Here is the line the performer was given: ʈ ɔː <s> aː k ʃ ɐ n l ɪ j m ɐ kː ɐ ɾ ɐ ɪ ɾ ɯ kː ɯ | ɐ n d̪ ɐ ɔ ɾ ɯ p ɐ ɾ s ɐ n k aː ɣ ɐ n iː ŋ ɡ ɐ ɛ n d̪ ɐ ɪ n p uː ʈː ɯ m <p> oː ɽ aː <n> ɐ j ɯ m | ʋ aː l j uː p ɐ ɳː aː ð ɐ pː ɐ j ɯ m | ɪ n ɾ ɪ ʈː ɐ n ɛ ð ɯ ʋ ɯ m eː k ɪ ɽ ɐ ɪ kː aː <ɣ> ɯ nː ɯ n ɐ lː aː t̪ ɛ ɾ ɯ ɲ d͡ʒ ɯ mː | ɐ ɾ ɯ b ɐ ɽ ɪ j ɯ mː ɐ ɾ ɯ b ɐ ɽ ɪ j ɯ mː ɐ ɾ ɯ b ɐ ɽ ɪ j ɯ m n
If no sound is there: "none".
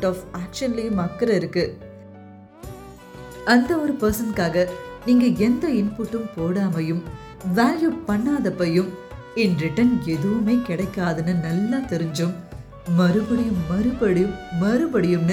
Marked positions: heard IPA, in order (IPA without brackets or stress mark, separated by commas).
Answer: f, p, m, ð